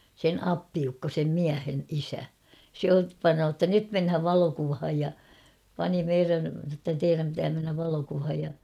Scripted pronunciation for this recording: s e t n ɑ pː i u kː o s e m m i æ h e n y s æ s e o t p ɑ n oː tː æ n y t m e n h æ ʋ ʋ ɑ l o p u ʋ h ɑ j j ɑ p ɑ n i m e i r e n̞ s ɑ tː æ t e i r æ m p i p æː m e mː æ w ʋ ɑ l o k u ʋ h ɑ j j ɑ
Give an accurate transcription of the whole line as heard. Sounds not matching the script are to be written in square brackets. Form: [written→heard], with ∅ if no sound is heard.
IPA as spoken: s e [t→∅] n ɑ pː i u kː o s e m m i æ h e n [y→i] s æ s e o t p ɑ n oː tː æ n y t m e n h æ ʋ ʋ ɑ l o [p→k] u ʋ h ɑ j j ɑ p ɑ n i m e i r [e→æ] n̞ s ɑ tː æ t e i r æ m p i [p→t] æː m e [mː→nː] æ [w→ʋ] ʋ ɑ l o k u ʋ h ɑ j j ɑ

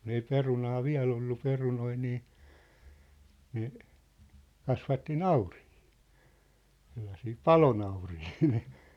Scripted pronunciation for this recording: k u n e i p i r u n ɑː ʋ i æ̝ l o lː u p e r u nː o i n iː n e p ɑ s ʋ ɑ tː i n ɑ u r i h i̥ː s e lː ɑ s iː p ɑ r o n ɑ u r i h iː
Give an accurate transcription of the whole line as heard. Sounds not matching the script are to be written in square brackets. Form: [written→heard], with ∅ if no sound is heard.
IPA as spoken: k u n e i p [i→e] r u n ɑː ʋ i æ̝ l o lː u p e r u [nː→n] o i n iː n e [p→k] ɑ s ʋ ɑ tː i n ɑ u r i h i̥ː s e lː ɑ s iː p ɑ [r→l] o n ɑ u r i h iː

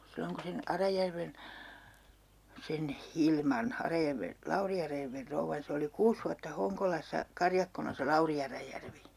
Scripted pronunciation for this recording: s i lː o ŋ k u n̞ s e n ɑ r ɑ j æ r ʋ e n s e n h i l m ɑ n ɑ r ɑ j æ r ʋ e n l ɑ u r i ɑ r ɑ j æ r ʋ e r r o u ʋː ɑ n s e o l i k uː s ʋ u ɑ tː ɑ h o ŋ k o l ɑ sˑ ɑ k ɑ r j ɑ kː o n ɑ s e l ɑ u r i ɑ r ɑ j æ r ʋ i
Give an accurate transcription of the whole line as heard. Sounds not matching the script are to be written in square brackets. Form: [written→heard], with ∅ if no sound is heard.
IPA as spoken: s i lː o ŋ k u n̞ s e n ɑ r ɑ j æ r ʋ e n s e n h i l m ɑ n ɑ r ɑ j æ r ʋ e n l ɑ u r i ɑ r ɑ j æ r ʋ e r r o u ʋː ɑ n s e o l i k uː s ʋ u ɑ tː ɑ h o ŋ k o l ɑ sˑ ɑ k ɑ r j ɑ kː o n ɑ s e l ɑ u r i ɑ r ɑ j æ r ʋ i

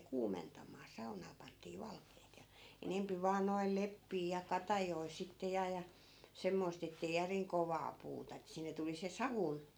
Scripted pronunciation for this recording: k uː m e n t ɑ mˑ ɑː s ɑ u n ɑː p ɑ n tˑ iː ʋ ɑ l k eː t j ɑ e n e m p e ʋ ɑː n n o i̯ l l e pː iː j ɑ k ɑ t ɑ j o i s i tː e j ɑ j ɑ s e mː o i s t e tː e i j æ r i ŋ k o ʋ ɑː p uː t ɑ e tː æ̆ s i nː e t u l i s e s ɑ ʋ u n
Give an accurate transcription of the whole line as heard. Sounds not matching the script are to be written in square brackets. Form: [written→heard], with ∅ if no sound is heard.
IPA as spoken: k uː m e n t ɑ mˑ ɑː s ɑ u n ɑː p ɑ n tˑ iː ʋ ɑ l k eː t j ɑ e n e m p [e→i] ʋ ɑː n n o i̯ l l e pː iː j ɑ k ɑ t ɑ j o i s i tː e j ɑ j ɑ s e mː o i s t e tː e i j æ r i ŋ k o ʋ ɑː p uː t ɑ e tː æ̆ s i nː e t u l i s e s ɑ ʋ u n

